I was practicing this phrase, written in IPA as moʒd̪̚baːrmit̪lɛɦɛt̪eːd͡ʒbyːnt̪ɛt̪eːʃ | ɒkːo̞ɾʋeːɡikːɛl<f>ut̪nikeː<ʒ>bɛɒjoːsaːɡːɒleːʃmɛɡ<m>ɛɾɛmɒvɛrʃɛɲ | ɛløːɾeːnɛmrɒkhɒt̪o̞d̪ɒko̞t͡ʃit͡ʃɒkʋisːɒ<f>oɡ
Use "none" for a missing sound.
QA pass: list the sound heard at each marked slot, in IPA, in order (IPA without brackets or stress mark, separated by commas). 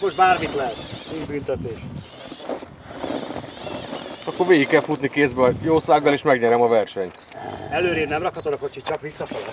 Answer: f, z, ɲ, f